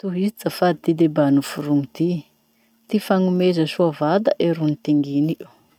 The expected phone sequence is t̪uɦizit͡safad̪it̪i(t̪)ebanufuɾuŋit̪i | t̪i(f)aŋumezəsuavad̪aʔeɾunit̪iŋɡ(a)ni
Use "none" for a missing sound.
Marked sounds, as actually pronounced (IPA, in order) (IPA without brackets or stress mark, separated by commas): d̪, f, i